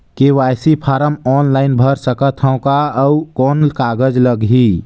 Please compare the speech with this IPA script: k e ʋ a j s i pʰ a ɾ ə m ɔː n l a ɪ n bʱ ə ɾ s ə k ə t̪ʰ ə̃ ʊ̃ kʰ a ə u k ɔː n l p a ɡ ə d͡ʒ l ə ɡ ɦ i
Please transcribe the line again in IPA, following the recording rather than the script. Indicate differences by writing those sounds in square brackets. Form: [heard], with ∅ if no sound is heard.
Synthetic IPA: k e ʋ a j s i pʰ a ɾ ə m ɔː n l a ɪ n bʱ ə ɾ s ə k ə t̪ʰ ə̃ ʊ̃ [k] a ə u k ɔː n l [k] a ɡ ə d͡ʒ l ə ɡ ɦ i